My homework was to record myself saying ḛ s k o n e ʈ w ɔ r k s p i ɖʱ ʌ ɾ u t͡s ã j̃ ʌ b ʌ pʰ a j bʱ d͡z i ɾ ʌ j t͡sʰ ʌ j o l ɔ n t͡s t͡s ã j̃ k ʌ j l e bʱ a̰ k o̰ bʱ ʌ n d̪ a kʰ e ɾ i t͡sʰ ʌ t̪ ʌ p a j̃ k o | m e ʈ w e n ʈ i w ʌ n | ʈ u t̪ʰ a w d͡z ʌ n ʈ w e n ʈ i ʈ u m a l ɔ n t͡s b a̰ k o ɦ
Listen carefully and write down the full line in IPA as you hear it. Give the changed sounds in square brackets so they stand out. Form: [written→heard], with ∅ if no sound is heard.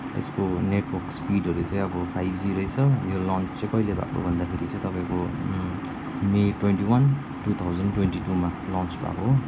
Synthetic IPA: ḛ s k o n e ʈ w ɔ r k s p i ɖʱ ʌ ɾ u t͡s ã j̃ ʌ b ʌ pʰ a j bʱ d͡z i ɾ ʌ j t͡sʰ ʌ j o l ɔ n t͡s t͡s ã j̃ k ʌ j l e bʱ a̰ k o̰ bʱ ʌ n d̪ a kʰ e ɾ i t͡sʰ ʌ t̪ ʌ p a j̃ k o | m e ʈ w e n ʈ i w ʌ n | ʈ u t̪ʰ a w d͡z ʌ n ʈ w e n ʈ i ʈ u m a l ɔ n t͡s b a̰ k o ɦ